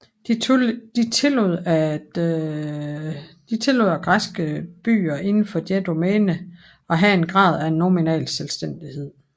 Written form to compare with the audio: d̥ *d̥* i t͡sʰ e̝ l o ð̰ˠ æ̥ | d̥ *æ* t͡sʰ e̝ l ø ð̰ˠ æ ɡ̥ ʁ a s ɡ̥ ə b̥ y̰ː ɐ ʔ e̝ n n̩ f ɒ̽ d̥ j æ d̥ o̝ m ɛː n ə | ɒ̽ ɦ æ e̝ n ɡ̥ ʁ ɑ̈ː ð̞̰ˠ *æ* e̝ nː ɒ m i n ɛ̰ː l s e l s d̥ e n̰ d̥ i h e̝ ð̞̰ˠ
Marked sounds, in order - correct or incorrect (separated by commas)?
correct, incorrect, correct